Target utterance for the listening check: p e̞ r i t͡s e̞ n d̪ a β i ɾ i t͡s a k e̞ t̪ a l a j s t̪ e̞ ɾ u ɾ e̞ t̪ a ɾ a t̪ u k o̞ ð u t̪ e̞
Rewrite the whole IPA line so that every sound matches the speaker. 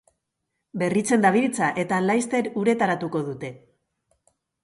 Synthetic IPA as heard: b e̞ r i t͡s e̞ n d̪ a β i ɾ i t͡s a ʔ e̞ t̪ a l a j s t̪ e̞ ɾ u ɾ e̞ t̪ a ɾ a t̪ u k o̞ ð u t̪ e̞